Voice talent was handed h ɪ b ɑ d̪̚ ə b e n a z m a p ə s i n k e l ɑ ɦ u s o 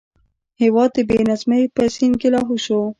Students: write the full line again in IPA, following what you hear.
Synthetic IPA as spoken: h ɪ w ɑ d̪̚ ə b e n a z m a p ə s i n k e l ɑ ɦ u ʃ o